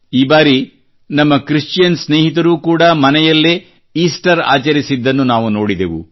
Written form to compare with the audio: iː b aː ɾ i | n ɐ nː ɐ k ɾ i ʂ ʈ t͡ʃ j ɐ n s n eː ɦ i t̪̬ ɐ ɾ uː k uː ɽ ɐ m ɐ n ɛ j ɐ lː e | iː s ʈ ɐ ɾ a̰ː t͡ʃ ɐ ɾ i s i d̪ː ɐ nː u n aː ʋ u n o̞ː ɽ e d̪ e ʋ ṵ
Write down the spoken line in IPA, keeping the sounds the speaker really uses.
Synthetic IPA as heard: iː b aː ɾ i | n ɐ mː ɐ k ɾ i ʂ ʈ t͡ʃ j ɐ n s n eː ɦ i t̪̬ ɐ ɾ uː k uː ɽ ɐ m ɐ n ɛ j ɐ lː e | iː s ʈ ɐ ɾ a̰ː t͡ʃ ɐ ɾ i s i d̪ː ɐ nː u n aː ʋ u n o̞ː ɽ i d̪ e ʋ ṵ